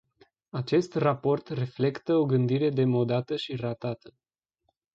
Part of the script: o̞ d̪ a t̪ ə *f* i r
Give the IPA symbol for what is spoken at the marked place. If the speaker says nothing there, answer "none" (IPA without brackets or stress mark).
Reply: ʃ